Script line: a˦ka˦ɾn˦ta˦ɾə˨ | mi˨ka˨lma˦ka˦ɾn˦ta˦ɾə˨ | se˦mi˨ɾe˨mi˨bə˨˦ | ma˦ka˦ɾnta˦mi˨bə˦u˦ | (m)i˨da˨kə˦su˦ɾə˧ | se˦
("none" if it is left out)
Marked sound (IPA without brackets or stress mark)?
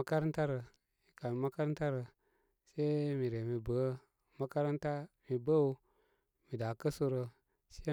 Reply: m